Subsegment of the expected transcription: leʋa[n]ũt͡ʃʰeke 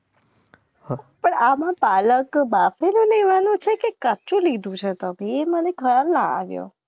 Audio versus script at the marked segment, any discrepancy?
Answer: no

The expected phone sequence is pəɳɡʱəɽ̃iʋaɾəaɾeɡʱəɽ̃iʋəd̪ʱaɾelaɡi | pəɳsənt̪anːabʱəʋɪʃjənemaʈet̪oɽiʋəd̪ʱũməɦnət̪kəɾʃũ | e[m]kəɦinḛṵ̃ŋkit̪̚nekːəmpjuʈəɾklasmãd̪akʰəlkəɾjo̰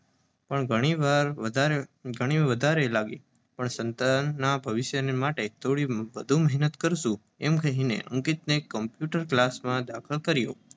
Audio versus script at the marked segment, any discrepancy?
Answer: no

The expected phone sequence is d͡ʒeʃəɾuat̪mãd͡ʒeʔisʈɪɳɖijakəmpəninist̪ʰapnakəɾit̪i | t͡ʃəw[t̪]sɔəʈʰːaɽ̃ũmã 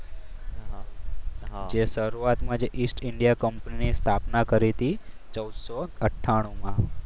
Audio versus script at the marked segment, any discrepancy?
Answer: yes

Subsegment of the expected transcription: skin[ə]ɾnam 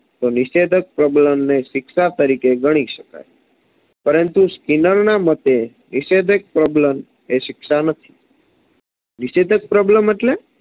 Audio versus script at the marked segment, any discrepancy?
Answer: no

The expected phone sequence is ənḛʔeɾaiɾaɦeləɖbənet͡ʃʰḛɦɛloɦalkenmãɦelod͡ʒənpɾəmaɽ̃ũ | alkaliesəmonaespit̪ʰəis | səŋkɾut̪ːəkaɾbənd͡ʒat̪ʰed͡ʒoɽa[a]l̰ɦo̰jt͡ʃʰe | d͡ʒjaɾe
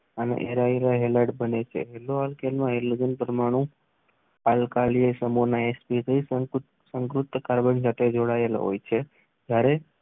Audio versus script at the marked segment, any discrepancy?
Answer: yes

